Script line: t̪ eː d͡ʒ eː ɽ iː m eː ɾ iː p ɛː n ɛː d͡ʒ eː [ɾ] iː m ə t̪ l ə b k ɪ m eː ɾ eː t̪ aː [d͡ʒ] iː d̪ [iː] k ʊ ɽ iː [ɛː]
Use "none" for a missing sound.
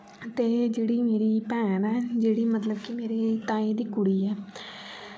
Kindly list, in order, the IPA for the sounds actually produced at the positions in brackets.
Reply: ɽ, none, iː, ɛː

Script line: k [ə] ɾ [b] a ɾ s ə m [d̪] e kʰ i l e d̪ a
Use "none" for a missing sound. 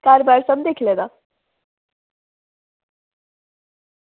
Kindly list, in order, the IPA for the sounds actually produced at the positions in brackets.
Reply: a, b, d̪

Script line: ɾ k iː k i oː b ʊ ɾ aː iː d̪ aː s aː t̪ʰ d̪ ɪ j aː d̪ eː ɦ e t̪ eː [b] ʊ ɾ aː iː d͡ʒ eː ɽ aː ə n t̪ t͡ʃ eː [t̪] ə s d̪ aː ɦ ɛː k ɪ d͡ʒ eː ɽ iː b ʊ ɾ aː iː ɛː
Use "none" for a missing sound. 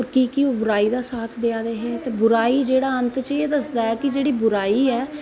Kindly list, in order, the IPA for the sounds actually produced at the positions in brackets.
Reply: b, d̪

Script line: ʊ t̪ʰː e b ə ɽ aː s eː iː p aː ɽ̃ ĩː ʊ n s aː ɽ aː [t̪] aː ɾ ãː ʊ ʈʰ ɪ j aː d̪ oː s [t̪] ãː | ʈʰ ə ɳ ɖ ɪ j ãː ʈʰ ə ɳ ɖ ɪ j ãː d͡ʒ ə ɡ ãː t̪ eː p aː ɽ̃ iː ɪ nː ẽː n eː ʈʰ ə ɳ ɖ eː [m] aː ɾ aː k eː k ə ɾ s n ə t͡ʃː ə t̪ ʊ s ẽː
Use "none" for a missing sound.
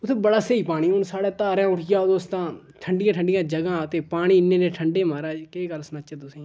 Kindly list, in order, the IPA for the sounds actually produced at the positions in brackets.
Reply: t̪, t̪, m

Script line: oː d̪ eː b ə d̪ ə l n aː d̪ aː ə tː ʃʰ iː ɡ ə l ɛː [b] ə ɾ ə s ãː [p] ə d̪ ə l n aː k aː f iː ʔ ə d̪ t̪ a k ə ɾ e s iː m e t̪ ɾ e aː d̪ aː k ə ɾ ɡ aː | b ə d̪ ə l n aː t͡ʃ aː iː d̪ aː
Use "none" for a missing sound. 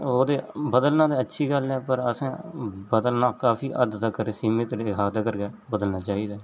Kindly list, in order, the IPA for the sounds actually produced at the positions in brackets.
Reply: p, b

